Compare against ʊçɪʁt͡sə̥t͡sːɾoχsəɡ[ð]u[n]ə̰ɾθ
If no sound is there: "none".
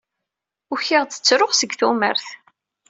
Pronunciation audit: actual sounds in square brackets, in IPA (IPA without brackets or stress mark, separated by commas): θ, m